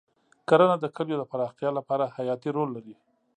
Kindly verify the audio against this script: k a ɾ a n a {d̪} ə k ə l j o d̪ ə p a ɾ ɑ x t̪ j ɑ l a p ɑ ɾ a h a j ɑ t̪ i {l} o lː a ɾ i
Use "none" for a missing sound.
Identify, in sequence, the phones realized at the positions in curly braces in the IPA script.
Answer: d̪, ɾ

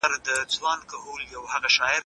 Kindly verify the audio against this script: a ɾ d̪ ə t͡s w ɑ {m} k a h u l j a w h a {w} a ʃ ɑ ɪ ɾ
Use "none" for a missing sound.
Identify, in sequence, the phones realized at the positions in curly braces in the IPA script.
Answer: n, ɣ

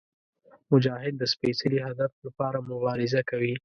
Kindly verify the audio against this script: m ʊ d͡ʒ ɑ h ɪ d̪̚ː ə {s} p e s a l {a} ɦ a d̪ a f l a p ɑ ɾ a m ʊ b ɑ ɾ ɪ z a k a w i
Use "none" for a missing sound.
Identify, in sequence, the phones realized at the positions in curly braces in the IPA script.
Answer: s, i

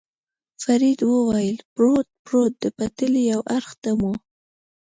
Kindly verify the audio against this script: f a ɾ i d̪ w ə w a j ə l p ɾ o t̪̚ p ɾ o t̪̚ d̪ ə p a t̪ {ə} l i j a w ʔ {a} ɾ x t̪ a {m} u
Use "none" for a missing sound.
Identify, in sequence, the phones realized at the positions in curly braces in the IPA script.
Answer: ə, a, m

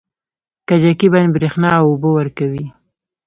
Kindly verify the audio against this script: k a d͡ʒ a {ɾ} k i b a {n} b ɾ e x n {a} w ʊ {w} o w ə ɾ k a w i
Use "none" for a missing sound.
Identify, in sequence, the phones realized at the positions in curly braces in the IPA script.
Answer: none, n, ɑ, b

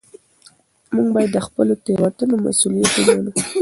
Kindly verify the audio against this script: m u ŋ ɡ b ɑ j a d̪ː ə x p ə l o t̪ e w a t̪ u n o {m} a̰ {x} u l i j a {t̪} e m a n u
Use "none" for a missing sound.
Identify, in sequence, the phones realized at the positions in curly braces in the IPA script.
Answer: m, s, t̪

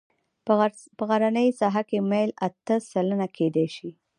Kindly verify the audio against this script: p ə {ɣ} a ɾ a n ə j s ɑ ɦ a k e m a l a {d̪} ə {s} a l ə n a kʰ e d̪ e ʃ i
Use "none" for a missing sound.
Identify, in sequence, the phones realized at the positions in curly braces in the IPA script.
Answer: ɣ, t̪, s

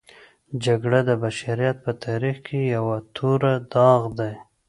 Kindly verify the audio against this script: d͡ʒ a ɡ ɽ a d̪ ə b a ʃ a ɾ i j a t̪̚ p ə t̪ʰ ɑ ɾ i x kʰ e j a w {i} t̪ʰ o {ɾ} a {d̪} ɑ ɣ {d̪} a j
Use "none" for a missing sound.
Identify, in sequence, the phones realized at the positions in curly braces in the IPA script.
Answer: a, ɾ, d̪, d̪

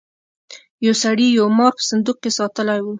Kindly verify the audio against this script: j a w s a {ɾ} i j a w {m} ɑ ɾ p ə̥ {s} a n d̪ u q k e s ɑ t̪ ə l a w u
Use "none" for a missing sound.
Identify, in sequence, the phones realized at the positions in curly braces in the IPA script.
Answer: ɽ, m, s

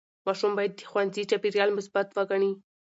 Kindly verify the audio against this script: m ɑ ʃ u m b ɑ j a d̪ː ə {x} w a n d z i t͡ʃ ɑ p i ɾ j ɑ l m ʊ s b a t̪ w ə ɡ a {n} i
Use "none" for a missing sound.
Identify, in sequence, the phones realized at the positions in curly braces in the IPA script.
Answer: x, ɳ

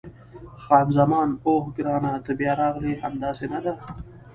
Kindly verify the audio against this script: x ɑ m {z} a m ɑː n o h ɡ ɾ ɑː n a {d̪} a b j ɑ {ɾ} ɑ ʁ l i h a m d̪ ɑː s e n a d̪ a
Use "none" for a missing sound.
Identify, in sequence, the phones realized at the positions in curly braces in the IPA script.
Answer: z, t̪, ɾ

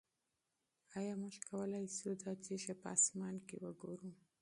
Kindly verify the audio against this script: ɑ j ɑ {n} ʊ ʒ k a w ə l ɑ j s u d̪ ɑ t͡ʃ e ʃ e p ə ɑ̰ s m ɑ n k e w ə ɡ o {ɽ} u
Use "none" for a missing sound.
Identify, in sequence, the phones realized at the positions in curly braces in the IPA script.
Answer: m, ɾ

